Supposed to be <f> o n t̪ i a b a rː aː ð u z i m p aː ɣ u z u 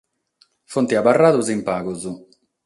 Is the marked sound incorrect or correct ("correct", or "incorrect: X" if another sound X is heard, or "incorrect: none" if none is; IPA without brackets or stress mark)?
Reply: correct